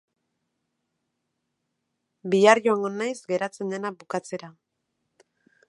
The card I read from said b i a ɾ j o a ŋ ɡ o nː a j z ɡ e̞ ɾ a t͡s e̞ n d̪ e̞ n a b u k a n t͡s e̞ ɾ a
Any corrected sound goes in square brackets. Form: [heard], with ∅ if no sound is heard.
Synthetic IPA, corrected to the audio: b i a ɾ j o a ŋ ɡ o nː a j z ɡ e̞ ɾ a t͡s e̞ n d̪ e̞ n a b u k a [∅] t͡s e̞ ɾ a

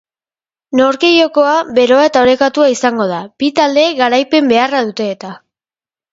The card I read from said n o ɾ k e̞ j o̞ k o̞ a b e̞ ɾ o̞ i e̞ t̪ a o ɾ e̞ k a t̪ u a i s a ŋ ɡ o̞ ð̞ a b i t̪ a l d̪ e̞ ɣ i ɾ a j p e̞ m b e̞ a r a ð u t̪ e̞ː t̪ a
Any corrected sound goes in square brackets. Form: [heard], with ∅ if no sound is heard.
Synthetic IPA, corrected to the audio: n o ɾ k e̞ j o̞ k o̞ a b e̞ ɾ o̞ [a] e̞ t̪ a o ɾ e̞ k a t̪ u a i s a ŋ ɡ o̞ ð̞ a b i t̪ a l d̪ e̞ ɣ [a] ɾ a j p e̞ m b e̞ a r a ð u t̪ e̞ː t̪ a

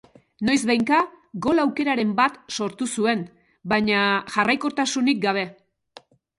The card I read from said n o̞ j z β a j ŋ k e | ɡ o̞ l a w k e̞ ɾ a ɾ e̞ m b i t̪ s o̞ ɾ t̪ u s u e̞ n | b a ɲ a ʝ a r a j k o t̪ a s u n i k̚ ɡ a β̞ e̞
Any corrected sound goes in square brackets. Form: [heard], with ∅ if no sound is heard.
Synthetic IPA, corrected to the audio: n o̞ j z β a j ŋ k [a] | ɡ o̞ l a w k e̞ ɾ a ɾ e̞ m b [a] t̪ s o̞ ɾ t̪ u s u e̞ n | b a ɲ a ʝ a r a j k o t̪ a s u n i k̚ ɡ a β̞ e̞

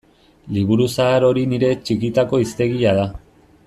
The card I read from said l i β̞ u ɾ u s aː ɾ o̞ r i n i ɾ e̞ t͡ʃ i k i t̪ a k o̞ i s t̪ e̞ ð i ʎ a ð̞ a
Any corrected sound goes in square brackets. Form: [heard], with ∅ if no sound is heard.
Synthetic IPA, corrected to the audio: l i β̞ u ɾ u s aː ɾ o̞ [ɾ] i n i ɾ e̞ t͡ʃ i k i t̪ a k o̞ i s t̪ e̞ [ɣ] i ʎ a ð̞ a

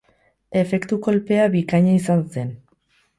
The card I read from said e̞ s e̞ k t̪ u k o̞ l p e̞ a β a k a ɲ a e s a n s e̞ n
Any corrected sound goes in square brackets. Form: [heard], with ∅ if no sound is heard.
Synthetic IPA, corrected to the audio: e̞ [f] e̞ k t̪ u k o̞ l p e̞ a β [i] k a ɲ a [i] s a n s e̞ n

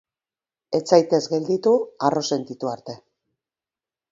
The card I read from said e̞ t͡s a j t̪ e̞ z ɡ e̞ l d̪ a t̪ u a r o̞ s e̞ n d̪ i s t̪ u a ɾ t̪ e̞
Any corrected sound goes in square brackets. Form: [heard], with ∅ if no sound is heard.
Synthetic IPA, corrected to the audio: e̞ t͡s a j t̪ e̞ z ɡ e̞ l d̪ [i] t̪ u a r o̞ s e̞ n [t̪] i [∅] t̪ u a ɾ t̪ e̞

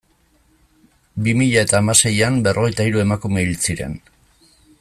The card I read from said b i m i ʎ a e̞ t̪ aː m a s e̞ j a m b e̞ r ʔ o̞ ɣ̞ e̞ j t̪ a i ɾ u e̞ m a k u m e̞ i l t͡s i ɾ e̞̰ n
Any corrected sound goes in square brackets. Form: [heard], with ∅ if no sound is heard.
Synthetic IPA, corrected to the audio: b i m i ʎ a e̞ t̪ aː m a s e̞ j a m b e̞ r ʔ o̞ ɣ̞ e̞ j t̪ a i ɾ u e̞ m a k u m e̞ i l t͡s i ɾ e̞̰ n

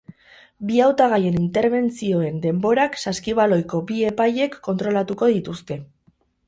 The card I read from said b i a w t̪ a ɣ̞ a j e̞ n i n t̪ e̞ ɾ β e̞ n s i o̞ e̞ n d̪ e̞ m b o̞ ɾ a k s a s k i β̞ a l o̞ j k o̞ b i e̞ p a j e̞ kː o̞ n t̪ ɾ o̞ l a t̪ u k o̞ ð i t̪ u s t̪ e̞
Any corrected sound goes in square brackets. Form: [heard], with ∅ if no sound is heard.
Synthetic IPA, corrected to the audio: b i a w t̪ a ɣ̞ a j e̞ n i n t̪ e̞ ɾ β e̞ n [t͡s] i o̞ e̞ n d̪ e̞ m b o̞ ɾ a k s a s k i β̞ a l o̞ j k o̞ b i e̞ p a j e̞ kː o̞ n t̪ ɾ o̞ l a t̪ u k o̞ ð i t̪ u s t̪ e̞

